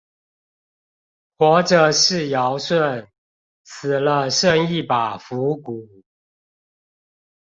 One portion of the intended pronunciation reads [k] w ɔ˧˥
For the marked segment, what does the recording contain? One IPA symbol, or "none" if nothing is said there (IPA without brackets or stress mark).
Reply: x